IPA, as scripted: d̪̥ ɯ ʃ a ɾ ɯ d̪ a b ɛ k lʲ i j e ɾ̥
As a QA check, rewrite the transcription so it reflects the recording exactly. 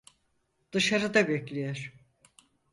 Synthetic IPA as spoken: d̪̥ ɯ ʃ a ɾ ɯ d̪ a b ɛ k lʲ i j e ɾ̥